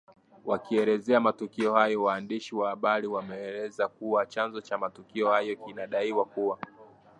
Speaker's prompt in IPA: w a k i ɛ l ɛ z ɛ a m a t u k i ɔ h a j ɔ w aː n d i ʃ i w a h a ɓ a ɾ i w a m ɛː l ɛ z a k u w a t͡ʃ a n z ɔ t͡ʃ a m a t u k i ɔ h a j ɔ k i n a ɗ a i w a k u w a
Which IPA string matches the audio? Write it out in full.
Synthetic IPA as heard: w a k i ɛ l ɛ z ɛ a m a t u k i ɔ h a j ɔ w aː n d i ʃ i w a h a ɓ a ɾ i w a m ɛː l ɛ z a k u w a t͡ʃ a n z ɔ t͡ʃ a m a t u k i ɔ h a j ɔ k i n a ɗ a i w a k u w a